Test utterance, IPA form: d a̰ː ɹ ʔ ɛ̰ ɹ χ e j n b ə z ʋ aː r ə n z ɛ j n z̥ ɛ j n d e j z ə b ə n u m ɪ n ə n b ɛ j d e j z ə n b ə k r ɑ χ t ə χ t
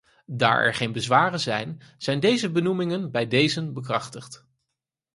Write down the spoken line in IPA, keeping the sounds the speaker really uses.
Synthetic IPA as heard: d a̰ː ɹ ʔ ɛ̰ ɹ χ e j n b ə z ʋ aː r ə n z ɛ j n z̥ ɛ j n d e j z ə b ə n u m ɪ ŋ ə n b ɛ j d e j z ə n b ə k r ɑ χ t ə χ t